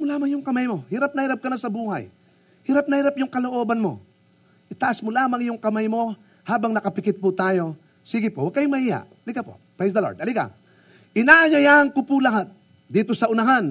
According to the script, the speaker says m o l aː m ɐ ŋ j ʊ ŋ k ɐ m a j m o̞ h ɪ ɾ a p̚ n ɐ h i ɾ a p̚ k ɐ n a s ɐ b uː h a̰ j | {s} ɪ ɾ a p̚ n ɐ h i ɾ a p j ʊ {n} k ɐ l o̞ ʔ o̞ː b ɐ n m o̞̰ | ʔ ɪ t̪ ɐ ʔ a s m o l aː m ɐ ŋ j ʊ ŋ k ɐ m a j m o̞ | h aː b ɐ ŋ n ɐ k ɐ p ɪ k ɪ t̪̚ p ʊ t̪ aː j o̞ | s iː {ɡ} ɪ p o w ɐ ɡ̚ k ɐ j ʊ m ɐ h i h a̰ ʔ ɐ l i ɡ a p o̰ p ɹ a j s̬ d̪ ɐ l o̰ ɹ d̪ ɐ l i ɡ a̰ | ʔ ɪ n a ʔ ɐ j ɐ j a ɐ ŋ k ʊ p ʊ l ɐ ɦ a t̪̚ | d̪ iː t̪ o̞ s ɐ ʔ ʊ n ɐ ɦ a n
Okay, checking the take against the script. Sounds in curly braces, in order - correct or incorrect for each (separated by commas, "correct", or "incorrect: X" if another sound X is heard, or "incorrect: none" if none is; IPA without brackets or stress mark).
incorrect: h, incorrect: ŋ, correct